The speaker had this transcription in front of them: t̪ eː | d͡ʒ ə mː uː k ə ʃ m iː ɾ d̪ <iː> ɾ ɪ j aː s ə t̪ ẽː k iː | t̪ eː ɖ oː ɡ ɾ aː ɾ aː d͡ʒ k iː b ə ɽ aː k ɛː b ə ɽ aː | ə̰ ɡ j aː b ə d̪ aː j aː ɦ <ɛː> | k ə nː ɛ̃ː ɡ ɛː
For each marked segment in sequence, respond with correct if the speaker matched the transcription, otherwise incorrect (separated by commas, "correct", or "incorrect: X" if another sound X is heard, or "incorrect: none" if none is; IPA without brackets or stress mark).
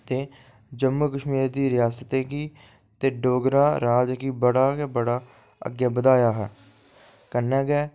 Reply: correct, correct